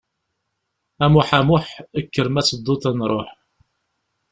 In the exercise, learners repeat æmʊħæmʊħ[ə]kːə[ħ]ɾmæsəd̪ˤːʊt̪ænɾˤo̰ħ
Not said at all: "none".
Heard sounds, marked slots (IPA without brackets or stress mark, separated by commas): ə, none